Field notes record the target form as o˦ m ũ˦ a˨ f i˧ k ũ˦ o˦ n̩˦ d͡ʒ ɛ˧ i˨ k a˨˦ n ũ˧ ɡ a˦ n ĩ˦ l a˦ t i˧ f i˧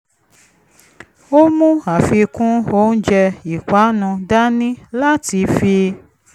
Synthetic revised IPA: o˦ m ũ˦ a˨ f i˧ k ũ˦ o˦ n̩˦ d͡ʒ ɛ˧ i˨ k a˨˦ n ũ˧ d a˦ n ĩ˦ l a˦ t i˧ f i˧